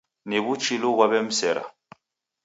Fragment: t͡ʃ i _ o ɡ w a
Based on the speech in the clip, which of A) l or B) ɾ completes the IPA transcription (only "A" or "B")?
A